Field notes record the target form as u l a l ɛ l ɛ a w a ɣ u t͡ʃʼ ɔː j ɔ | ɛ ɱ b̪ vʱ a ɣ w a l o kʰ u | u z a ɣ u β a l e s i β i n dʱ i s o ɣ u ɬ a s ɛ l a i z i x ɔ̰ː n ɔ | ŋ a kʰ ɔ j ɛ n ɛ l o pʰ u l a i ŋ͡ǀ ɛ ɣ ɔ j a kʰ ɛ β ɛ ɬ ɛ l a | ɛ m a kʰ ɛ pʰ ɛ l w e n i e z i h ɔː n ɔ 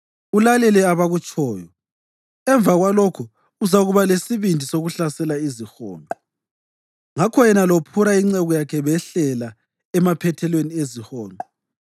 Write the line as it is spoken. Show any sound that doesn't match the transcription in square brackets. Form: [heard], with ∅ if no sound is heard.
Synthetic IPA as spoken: u l a l ɛ l ɛ a [β] a ɣ u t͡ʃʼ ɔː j ɔ | ɛ ɱ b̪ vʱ a ɣ w a l o kʰ u | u z a ɣ u β a l e s i β i n dʱ i s o ɣ u ɬ a s ɛ l a i z i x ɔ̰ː n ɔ | ŋ a kʰ ɔ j ɛ n [a] l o pʰ u [ɾ] a i ŋ͡ǀ ɛ ɣ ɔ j a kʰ ɛ β ɛ ɬ ɛ l a | ɛ m a [pʰ] ɛ [tʰ] ɛ l w e n i e z i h ɔː n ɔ